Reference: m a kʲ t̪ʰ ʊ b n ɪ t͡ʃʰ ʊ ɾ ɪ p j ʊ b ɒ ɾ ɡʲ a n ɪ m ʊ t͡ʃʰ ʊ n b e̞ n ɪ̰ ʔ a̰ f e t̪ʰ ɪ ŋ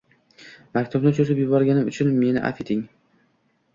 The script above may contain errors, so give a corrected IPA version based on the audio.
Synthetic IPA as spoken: m a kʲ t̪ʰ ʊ b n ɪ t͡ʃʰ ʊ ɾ ɪ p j ʊ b ɒ ɾ ɡʲ a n ɪ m ʊ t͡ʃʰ ʊ n m e̞ n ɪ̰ ʔ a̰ f e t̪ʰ ɪ ŋ